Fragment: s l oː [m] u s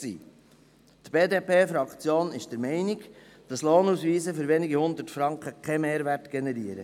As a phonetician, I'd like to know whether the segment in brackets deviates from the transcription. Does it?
yes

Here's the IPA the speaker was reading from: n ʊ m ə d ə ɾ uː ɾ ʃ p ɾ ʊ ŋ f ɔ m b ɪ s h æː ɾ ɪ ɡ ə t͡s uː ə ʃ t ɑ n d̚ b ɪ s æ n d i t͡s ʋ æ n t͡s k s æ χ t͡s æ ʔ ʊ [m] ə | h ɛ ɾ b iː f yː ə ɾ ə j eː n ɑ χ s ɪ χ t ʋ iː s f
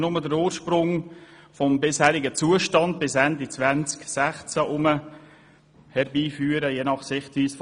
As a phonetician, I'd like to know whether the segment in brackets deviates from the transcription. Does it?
no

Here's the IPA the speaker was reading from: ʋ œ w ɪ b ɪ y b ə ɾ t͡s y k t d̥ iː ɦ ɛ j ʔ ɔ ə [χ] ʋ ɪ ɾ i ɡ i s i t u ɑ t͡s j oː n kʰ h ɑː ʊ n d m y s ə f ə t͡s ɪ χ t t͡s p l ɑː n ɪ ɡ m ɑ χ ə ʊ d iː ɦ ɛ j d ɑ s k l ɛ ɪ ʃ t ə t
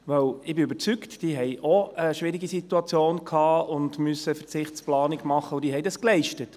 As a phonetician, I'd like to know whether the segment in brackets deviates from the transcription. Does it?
yes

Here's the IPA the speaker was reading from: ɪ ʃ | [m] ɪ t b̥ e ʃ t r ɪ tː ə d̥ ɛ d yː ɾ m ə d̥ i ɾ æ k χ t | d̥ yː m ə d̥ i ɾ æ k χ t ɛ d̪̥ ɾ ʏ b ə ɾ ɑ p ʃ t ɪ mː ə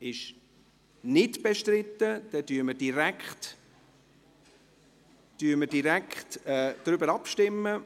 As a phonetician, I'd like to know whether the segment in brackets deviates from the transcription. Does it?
yes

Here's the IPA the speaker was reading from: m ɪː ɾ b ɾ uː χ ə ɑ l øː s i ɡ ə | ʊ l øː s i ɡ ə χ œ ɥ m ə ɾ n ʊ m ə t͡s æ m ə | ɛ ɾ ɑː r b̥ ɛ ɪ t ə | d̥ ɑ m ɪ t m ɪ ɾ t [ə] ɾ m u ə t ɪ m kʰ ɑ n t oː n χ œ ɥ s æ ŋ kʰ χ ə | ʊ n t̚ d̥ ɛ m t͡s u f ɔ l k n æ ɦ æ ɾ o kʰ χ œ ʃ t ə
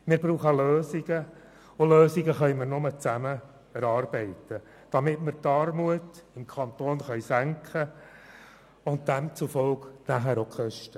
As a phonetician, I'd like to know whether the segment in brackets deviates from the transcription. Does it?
yes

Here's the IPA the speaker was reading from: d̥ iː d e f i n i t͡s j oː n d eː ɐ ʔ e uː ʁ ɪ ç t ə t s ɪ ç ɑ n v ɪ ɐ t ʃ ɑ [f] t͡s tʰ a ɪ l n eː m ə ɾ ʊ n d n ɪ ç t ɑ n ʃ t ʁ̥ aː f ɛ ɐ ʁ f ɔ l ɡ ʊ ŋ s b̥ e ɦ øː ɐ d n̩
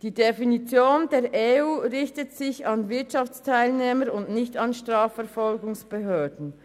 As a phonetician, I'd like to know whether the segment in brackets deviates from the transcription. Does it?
no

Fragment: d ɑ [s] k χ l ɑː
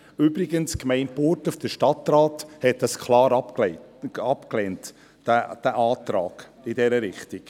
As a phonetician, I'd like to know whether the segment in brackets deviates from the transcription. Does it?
no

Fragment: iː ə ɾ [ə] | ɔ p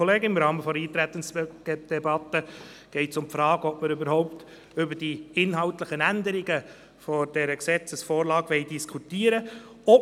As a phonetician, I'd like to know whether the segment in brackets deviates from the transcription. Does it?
no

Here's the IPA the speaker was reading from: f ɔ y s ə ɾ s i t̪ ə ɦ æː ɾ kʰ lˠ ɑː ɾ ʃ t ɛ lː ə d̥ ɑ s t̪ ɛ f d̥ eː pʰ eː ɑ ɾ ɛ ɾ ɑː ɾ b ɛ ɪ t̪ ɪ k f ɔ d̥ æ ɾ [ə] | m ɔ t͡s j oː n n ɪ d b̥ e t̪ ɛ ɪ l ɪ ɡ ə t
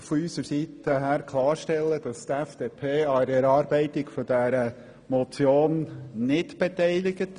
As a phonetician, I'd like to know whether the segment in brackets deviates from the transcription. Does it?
no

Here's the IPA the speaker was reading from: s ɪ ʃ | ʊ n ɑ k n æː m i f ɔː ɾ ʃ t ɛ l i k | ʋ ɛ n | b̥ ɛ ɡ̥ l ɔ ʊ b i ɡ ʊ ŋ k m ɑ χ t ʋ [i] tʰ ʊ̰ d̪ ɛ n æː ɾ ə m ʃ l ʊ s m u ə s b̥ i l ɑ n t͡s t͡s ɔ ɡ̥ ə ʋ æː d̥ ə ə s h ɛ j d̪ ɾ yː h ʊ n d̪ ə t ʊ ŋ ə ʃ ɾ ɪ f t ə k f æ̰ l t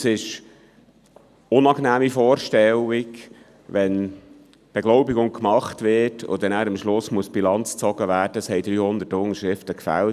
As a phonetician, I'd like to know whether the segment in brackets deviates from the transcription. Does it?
yes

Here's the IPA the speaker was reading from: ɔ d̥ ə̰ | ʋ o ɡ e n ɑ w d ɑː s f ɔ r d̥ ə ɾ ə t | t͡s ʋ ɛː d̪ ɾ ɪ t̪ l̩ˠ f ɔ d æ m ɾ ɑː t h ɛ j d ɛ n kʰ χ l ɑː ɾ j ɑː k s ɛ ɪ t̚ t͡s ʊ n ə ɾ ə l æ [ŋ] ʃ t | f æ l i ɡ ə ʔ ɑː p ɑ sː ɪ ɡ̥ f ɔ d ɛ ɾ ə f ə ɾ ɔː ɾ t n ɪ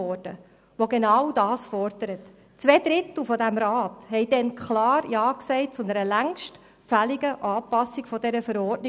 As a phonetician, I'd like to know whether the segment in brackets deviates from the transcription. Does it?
no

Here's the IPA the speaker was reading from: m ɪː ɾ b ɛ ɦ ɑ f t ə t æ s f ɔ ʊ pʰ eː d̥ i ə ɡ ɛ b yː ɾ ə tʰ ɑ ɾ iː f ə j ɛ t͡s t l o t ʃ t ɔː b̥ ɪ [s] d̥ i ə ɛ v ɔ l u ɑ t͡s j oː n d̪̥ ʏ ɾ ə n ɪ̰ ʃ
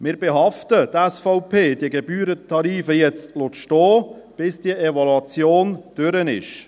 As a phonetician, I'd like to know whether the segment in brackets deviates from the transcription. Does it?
no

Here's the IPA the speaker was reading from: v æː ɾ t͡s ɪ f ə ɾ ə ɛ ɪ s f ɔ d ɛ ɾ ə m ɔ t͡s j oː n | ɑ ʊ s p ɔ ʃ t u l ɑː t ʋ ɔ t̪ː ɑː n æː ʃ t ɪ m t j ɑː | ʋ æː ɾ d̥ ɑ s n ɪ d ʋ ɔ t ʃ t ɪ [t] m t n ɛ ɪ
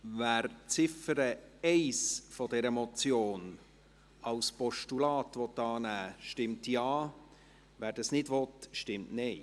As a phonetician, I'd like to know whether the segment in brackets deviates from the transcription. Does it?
yes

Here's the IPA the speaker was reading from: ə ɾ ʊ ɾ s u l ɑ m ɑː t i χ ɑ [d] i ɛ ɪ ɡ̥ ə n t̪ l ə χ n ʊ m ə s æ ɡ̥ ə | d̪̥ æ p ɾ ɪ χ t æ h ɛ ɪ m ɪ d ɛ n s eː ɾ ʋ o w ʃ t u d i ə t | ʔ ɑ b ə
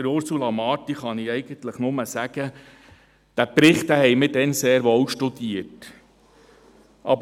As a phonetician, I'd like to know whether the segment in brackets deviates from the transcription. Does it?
yes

